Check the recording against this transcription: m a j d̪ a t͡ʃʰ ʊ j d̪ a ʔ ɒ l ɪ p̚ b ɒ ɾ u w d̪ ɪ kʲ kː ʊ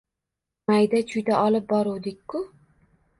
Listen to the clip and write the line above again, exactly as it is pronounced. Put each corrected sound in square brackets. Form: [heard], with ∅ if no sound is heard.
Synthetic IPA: m a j d̪ a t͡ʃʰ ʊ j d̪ a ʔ ɒ l ɪ p̚ b ɒ ɾ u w d̪ ɪ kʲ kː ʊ

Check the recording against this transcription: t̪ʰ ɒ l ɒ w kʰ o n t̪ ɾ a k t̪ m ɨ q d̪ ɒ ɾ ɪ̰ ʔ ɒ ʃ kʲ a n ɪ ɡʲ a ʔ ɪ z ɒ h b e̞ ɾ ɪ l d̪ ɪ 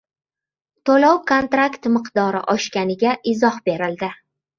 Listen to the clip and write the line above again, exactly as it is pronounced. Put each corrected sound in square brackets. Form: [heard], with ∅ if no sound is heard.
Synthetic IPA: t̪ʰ [o] l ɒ w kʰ o n t̪ ɾ a k t̪ m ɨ q d̪ ɒ ɾ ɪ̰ ʔ ɒ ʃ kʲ a n ɪ ɡʲ a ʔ ɪ z ɒ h b e̞ ɾ ɪ l d̪ ɪ

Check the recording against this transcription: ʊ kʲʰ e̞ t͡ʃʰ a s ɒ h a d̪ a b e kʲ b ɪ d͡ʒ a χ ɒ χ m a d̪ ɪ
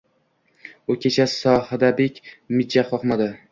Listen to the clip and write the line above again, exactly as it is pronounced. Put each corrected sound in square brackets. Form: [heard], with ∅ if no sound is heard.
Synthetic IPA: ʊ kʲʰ e̞ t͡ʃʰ a s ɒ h a d̪ a b e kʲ [m] ɪ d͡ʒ a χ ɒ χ m a d̪ ɪ

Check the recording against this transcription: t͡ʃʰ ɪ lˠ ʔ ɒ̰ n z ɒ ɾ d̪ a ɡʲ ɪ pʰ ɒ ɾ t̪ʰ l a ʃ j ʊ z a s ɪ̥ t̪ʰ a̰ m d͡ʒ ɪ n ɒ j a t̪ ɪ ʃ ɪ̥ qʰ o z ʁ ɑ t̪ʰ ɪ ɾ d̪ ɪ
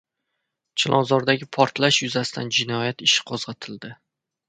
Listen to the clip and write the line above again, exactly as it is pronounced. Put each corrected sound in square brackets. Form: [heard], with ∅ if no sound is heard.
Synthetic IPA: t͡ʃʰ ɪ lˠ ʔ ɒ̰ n z ɒ ɾ d̪ a ɡʲ ɪ pʰ ɒ ɾ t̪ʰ l a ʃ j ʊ z a s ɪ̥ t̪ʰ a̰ [n] d͡ʒ ɪ n ɒ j a t̪ ɪ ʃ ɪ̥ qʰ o z ʁ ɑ t̪ʰ ɪ [l] d̪ ɪ

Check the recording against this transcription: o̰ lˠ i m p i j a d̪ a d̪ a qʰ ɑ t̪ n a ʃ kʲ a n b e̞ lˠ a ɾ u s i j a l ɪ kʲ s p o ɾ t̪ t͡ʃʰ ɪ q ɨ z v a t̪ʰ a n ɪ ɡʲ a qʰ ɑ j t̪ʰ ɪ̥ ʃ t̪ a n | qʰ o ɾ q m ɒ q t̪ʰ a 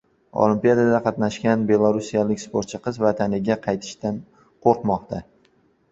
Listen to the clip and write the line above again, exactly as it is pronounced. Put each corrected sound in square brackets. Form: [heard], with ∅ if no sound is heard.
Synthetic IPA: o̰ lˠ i m p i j a d̪ a d̪ a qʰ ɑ t̪ n a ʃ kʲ a n b e̞ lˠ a ɾ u s i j a l ɪ kʲ s p o ɾ t̪ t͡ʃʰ ɪ q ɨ z v a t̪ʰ a n ɪ ɡʲ a qʰ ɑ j t̪ʰ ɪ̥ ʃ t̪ a n | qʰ o ɾ q m ɒ q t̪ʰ a

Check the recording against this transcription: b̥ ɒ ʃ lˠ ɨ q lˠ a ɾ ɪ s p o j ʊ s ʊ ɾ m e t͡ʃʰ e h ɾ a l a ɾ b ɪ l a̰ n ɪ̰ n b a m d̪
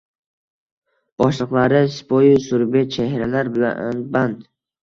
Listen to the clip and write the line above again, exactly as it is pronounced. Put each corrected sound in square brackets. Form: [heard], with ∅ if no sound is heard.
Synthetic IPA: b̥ ɒ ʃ lˠ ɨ q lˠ a ɾ ɪ s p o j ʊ s ʊ ɾ [b] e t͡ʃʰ e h ɾ a l a ɾ b ɪ l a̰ n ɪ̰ n b a [n] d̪

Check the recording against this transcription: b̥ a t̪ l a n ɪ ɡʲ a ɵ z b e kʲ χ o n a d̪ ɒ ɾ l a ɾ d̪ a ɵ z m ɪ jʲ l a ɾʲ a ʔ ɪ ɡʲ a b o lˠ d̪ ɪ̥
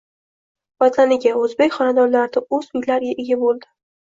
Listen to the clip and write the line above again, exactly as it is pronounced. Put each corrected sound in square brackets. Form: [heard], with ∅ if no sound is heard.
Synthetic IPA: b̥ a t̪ l a n ɪ ɡʲ a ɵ z b e kʲ χ [ɒ] n a d̪ ɒ ɾ l a ɾ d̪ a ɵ z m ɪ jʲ l a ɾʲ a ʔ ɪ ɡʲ a b o lˠ d̪ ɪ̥

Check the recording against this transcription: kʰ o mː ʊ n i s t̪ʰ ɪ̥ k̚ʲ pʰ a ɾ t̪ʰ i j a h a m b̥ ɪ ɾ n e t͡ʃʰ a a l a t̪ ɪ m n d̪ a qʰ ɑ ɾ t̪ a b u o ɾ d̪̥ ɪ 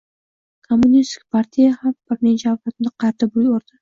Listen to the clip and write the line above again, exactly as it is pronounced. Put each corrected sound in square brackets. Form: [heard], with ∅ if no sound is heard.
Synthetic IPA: kʰ o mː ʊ n i s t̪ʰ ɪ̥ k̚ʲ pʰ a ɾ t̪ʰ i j a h a m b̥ ɪ ɾ n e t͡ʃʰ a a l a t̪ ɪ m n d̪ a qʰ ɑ ɾ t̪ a b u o ɾ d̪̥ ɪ

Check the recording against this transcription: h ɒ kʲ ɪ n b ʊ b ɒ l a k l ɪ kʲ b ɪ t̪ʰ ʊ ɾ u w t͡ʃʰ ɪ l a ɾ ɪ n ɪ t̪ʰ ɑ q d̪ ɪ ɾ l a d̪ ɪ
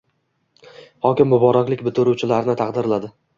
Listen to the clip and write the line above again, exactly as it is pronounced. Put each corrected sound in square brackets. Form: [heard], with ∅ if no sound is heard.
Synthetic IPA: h ɒ kʲ ɪ [m] b ʊ b ɒ [ɾ] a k l ɪ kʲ b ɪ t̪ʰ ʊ ɾ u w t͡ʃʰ ɪ l a ɾ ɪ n ɪ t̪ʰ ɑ q d̪ ɪ ɾ l a d̪ ɪ

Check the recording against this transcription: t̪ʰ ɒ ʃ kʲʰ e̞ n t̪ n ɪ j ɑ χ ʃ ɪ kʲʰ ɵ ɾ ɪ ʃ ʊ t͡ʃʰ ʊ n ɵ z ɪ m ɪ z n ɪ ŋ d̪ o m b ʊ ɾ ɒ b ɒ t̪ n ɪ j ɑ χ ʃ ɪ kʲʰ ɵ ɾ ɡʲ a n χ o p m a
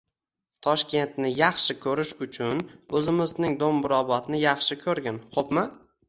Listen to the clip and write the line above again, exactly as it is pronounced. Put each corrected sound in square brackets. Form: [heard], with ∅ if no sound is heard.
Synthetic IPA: t̪ʰ ɒ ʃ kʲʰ e̞ n t̪ n ɪ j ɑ χ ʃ ɪ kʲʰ ɵ ɾ ɪ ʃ ʊ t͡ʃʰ ʊ n ɵ z ɪ m ɪ z n ɪ ŋ d̪ o m b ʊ ɾ ɒ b ɒ t̪ n ɪ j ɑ χ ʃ ɪ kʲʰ ɵ ɾ ɡʲ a n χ o p m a

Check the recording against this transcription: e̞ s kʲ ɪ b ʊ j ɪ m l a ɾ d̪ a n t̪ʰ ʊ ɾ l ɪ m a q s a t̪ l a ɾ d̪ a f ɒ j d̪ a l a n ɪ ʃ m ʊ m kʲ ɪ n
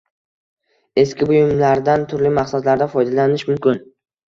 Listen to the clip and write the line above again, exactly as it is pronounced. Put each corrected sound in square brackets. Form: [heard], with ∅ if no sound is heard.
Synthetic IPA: e̞ s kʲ ɪ b ʊ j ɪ m l a ɾ d̪ a n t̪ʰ ʊ ɾ l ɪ m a q s a [d̪] l a ɾ d̪ a f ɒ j d̪ a l a n ɪ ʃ m ʊ m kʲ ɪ n

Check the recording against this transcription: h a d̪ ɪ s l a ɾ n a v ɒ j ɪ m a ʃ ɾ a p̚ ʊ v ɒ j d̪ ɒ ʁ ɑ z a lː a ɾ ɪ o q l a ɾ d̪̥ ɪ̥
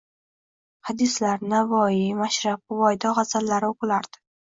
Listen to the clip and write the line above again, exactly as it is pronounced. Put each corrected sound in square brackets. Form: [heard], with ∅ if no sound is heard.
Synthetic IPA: h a d̪ ɪ s l a ɾ n a v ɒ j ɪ m a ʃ ɾ a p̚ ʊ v ɒ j d̪ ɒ ʁ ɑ z a lː a ɾ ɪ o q l a ɾ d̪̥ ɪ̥

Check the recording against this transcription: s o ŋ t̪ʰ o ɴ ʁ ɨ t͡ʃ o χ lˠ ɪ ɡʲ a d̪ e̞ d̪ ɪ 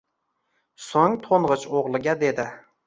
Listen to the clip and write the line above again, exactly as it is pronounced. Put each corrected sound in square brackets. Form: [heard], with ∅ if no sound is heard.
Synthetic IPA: s o ŋ t̪ʰ o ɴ ʁ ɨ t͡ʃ o [ʁ] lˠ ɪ ɡʲ a d̪ e̞ d̪ ɪ

